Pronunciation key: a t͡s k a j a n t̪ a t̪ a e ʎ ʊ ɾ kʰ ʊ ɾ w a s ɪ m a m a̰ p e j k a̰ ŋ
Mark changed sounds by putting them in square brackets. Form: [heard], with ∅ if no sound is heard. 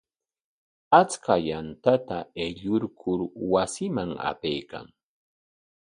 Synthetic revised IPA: a t͡s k a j a n t̪ a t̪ a e ʎ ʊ ɾ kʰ ʊ ɾ w a s ɪ m a [ŋ] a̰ p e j k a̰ ŋ

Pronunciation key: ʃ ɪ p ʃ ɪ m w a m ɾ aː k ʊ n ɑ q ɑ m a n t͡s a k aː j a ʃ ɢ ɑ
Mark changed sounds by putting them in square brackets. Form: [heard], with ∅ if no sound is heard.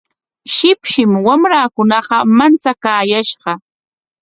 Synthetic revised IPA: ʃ ɪ p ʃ ɪ m w a m ɾ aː k ʊ n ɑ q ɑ m a n t͡s a k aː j a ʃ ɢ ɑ

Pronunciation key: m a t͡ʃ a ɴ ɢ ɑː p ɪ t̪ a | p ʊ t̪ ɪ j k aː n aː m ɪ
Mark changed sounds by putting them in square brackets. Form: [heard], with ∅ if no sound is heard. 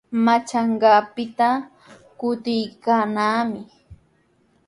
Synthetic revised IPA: m a t͡ʃ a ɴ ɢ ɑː p ɪ t̪ a | [k] ʊ t̪ ɪ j k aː n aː m ɪ

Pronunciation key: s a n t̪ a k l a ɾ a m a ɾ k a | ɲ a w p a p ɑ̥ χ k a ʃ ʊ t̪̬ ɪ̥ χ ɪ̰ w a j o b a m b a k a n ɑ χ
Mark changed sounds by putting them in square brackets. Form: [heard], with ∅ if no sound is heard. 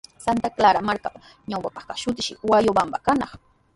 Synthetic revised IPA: s a n t̪ a k l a ɾ a m a ɾ k a | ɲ a w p a p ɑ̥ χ k a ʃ ʊ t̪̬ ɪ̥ [ʃ] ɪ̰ w a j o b a m b a k a n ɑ χ

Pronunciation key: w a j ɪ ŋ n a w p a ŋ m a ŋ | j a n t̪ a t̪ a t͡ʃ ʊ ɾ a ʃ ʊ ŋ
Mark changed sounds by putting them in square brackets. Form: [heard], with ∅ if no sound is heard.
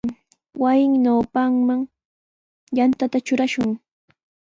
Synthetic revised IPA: w a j ɪ ŋ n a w p a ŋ m a ŋ | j a n t̪ a t̪ a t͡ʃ ʊ ɾ a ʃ ʊ ŋ

